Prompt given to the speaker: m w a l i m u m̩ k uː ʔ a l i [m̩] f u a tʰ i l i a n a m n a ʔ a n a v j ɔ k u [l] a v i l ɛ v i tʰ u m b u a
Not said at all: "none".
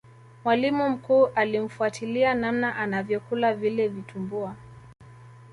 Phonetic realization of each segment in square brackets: m̩, l

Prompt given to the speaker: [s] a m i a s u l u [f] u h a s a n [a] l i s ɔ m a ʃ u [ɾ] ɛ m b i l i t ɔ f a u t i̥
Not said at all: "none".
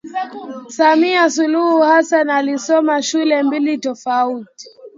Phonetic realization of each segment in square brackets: s, h, a, l

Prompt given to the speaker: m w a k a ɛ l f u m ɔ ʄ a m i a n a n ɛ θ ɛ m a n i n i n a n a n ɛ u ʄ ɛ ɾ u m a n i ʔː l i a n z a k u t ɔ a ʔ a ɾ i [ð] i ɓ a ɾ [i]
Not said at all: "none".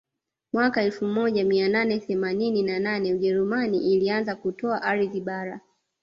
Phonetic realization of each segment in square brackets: ð, a

